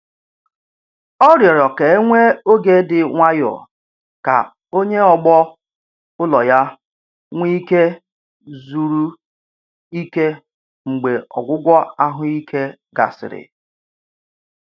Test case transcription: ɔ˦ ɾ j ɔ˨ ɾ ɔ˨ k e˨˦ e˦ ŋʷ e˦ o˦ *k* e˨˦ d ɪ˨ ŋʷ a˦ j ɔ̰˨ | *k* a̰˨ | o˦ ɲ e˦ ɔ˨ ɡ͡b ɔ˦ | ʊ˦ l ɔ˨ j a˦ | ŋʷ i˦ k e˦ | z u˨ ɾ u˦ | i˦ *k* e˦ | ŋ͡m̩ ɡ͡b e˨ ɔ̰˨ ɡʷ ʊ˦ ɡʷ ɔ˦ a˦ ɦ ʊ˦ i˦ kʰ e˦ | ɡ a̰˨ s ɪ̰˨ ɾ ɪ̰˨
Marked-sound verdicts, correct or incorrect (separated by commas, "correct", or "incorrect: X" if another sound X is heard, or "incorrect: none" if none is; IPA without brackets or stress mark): incorrect: ɡ, correct, correct